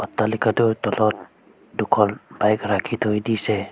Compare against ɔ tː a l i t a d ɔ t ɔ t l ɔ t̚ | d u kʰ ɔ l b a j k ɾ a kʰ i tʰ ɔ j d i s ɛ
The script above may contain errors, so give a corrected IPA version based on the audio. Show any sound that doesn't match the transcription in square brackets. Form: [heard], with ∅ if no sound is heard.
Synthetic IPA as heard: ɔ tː a l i [k] a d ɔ t ɔ [∅] l ɔ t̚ | d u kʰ ɔ l b a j k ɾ a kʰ i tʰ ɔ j d i s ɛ